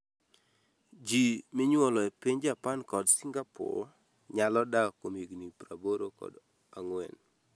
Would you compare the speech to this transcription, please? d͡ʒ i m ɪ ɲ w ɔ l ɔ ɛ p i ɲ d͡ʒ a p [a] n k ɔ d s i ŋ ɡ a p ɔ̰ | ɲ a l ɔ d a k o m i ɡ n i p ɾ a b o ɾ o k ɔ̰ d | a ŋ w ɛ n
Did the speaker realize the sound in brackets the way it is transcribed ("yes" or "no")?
yes